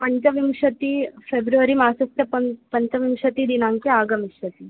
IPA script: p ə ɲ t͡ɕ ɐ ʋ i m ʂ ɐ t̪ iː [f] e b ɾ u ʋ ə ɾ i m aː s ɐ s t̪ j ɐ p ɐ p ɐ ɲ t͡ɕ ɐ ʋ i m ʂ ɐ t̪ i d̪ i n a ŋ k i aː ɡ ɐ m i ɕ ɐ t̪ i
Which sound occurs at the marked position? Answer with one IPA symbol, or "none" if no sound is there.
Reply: f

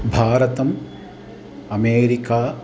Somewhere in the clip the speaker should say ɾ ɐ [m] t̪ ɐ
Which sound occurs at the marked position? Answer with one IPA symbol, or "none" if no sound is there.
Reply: none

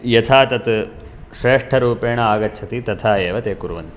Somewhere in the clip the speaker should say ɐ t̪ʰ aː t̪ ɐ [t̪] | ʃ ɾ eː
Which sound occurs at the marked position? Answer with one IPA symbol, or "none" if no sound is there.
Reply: t̪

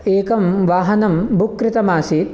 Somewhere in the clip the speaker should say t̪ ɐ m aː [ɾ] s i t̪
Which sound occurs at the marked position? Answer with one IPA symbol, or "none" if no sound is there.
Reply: none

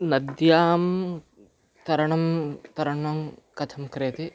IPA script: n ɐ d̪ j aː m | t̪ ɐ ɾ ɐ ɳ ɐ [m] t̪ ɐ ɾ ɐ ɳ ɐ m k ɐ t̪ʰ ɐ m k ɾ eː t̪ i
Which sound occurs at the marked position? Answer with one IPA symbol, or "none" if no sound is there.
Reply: m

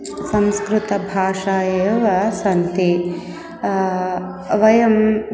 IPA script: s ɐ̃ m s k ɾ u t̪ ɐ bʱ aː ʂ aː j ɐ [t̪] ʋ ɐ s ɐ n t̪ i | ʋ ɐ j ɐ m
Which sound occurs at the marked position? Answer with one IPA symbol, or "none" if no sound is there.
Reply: none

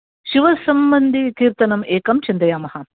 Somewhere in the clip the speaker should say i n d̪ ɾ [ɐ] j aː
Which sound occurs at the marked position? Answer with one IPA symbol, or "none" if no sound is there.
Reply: ɐ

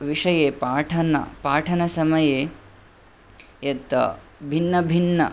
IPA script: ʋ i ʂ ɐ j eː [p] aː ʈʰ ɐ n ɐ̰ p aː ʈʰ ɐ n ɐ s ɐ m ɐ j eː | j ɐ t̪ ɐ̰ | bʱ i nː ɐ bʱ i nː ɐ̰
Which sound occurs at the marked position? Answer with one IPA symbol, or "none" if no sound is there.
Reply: p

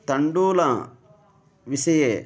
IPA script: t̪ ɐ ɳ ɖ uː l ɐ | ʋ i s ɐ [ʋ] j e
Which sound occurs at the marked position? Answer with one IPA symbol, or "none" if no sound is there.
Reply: none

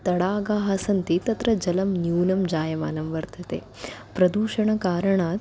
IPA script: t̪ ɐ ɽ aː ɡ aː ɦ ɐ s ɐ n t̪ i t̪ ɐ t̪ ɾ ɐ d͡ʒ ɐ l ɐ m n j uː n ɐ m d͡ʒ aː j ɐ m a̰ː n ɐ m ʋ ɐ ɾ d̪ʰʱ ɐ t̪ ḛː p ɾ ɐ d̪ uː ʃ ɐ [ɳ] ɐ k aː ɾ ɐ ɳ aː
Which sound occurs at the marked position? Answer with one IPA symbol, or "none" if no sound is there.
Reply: ɳ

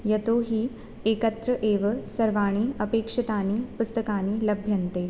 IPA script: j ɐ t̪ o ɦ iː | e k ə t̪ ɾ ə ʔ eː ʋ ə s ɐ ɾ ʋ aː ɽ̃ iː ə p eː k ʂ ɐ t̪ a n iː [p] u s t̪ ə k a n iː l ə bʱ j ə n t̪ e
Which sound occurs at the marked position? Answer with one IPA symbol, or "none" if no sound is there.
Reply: p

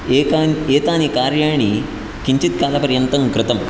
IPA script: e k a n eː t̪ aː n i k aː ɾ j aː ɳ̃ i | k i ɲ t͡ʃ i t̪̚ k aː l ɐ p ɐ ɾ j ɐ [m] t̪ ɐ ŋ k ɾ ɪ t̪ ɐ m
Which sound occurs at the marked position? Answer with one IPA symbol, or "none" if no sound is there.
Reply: n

